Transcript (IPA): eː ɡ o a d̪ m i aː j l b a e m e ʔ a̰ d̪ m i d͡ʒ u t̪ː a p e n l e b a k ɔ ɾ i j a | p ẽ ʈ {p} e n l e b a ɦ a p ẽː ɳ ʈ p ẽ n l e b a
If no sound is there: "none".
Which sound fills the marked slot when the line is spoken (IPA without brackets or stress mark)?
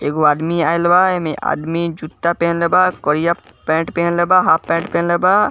p